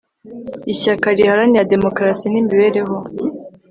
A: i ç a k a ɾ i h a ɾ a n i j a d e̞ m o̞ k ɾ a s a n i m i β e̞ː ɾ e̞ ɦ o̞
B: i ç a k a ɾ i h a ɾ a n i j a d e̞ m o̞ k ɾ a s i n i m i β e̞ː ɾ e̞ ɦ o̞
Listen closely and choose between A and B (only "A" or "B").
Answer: B